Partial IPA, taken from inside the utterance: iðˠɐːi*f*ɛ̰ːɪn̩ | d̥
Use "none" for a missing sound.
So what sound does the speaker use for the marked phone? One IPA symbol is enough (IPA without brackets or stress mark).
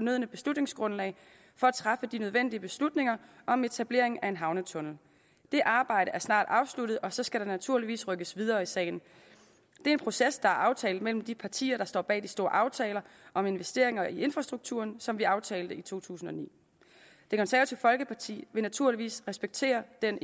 s